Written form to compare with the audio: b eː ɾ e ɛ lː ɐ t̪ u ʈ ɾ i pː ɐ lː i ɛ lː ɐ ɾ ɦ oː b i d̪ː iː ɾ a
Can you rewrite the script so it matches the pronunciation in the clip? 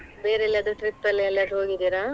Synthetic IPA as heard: b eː ɾ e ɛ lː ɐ d̪ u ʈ ɾ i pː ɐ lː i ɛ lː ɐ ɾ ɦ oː ɡ i d̪ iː ɾ a